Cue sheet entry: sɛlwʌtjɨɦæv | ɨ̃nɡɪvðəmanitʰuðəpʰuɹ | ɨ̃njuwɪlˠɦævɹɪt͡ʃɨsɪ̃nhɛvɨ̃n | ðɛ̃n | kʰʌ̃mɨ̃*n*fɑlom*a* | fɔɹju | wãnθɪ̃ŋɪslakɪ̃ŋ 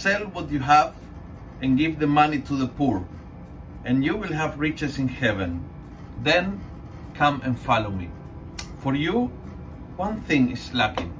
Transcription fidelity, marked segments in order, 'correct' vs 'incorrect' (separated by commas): correct, incorrect